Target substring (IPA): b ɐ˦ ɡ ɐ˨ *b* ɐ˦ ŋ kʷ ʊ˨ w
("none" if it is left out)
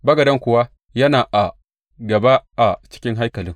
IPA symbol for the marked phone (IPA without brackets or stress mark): d